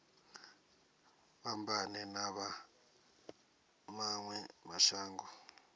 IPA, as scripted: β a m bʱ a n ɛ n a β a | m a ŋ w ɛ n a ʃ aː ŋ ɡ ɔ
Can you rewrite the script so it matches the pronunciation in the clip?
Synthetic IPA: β a m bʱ a n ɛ n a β a | m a ŋ w ɛ m a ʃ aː ŋ ɡ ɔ